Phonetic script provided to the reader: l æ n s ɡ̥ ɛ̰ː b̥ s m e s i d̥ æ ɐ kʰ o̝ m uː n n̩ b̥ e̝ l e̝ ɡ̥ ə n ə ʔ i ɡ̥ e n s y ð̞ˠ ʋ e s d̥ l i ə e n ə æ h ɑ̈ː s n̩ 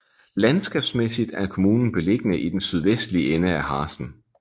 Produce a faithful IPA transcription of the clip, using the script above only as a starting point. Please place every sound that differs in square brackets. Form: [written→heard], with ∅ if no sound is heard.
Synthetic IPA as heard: l æ n s ɡ̥ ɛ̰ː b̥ s m e s i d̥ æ ɐ kʰ o̝ m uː n n̩ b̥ e̝ l e̝ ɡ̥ ə n ə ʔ i [ɡ̥→d̥] e n s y ð̞ˠ ʋ e s d̥ l i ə e n ə æ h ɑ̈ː s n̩